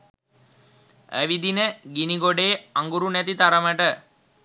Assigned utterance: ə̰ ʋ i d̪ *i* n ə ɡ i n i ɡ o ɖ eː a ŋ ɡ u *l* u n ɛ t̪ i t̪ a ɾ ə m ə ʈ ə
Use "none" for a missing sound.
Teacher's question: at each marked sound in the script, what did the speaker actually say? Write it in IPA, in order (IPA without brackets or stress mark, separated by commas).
i, ɾ